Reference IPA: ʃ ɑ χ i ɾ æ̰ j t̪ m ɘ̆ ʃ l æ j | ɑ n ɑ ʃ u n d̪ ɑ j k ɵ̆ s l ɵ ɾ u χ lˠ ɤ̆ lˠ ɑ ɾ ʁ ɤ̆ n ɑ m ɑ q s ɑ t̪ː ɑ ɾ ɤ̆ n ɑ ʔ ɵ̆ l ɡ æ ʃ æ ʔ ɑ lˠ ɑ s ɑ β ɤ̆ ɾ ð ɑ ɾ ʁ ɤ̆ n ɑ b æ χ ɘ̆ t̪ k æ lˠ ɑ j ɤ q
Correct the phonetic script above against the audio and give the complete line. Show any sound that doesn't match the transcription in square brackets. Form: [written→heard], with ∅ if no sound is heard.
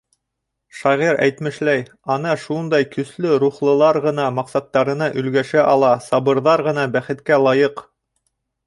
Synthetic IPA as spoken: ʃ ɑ [χ→ʁ] i ɾ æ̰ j t̪ m ɘ̆ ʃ l æ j | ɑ n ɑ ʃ u n d̪ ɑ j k ɵ̆ s l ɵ ɾ u χ lˠ ɤ̆ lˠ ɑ ɾ ʁ ɤ̆ n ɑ m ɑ q s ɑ t̪ː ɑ ɾ ɤ̆ n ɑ ʔ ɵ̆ l ɡ æ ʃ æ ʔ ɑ lˠ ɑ s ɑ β ɤ̆ ɾ ð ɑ ɾ ʁ ɤ̆ n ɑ b æ χ ɘ̆ t̪ k æ lˠ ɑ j ɤ q